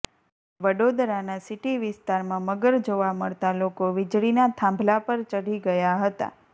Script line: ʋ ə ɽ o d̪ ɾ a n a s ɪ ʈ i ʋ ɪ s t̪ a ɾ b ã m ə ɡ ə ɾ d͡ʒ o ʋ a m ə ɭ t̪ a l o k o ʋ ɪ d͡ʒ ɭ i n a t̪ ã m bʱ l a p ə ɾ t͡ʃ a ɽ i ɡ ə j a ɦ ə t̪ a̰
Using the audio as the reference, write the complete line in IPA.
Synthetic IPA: ʋ ə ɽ o d̪ ɾ a n a s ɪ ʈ i ʋ ɪ s t̪ a ɾ m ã m ə ɡ ə ɾ d͡ʒ o ʋ a m ə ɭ t̪ a l o k o ʋ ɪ d͡ʒ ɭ i n a t̪ʰ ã m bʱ l a p ə ɾ t͡ʃ ə ɽ i ɡ ə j a ɦ ə t̪ a̰